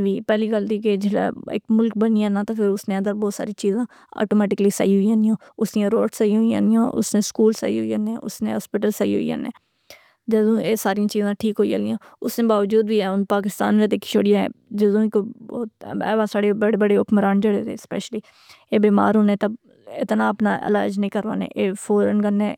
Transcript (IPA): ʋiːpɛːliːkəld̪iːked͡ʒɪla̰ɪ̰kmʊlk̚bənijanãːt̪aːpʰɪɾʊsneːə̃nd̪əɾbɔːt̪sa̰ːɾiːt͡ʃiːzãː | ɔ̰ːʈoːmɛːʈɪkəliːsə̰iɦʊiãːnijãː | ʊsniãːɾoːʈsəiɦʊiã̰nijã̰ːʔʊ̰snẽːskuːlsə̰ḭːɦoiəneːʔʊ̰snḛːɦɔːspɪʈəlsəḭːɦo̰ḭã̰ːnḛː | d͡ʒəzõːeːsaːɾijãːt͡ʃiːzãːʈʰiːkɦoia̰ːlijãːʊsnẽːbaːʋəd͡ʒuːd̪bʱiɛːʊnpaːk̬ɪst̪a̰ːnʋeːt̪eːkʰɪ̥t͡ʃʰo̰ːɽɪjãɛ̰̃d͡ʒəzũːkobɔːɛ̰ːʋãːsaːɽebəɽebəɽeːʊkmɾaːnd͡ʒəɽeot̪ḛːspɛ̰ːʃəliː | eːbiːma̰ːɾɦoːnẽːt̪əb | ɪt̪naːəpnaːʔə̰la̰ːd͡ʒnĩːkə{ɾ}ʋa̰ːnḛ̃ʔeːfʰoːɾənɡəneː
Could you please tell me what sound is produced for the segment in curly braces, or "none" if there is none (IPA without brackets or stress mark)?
ɾ